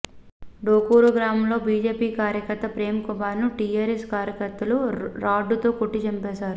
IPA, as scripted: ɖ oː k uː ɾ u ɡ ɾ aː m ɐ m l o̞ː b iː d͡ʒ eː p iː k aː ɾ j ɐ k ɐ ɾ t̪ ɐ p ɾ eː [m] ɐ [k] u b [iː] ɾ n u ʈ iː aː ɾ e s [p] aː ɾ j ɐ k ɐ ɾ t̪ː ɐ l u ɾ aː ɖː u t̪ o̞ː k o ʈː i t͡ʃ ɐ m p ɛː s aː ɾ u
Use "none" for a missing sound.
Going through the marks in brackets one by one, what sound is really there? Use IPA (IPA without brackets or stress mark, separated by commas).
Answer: m, k, aː, k